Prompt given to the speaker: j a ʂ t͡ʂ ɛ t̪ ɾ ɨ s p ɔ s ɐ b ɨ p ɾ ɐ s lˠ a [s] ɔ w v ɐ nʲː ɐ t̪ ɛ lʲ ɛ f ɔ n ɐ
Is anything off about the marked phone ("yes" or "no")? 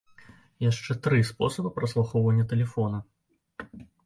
yes